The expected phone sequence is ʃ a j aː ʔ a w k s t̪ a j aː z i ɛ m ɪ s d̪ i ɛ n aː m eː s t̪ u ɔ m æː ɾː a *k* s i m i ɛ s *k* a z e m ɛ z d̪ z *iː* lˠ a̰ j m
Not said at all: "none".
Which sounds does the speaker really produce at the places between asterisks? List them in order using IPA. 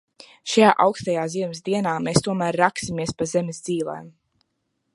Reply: k, p, iː

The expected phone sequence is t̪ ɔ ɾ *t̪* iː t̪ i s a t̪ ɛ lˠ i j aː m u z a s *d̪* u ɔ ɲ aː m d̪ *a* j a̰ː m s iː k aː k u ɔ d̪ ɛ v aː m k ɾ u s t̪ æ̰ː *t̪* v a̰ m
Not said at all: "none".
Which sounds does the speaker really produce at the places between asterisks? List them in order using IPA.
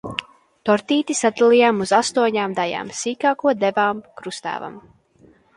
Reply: t̪, t̪, a, none

